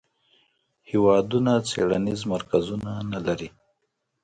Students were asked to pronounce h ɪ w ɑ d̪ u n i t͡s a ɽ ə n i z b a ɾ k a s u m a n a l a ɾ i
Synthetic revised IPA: h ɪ w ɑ d̪ u n a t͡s e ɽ a n i z m a ɾ k a z u n a n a l a ɾ i